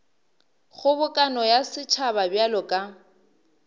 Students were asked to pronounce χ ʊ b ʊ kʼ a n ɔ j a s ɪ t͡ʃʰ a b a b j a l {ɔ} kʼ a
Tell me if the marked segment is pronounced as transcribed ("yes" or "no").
yes